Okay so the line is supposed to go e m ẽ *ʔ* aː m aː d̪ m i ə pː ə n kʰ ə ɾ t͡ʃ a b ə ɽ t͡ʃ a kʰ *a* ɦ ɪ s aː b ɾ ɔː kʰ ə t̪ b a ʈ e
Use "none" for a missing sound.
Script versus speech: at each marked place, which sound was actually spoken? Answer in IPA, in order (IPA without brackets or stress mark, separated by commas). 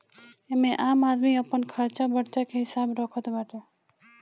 ʔ, e